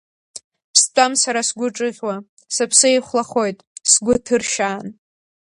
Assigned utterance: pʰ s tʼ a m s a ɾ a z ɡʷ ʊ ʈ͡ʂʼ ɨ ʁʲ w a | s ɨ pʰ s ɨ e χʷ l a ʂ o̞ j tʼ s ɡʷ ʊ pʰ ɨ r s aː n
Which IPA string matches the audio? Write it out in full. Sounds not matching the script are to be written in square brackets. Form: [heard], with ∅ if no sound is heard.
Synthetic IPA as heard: pʰ s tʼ a m s a ɾ a [s] ɡʷ ʊ ʈ͡ʂʼ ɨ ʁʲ w a | s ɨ pʰ s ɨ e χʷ l a [χ] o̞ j tʼ s ɡʷ ʊ [tʰ] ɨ r [ʃ] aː n